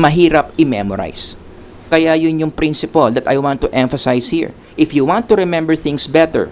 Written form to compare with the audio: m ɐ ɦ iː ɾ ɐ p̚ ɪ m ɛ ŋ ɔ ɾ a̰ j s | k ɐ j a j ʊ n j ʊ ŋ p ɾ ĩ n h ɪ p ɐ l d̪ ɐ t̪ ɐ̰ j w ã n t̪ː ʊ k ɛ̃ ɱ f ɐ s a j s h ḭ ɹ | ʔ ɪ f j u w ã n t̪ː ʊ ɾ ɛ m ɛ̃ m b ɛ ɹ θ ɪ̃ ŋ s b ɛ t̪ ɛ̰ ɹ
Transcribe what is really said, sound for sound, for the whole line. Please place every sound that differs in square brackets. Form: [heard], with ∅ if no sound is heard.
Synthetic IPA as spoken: m ɐ ɦ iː ɾ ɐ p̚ ɪ m ɛ [m] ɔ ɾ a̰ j s | k ɐ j a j ʊ n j ʊ ŋ p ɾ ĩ n [s] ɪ p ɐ l d̪ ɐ t̪ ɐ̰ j w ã n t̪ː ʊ [ʔ] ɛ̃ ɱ f ɐ s a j s h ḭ ɹ | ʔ ɪ f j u w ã n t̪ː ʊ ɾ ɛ m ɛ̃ m b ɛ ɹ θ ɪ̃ ŋ s b ɛ t̪ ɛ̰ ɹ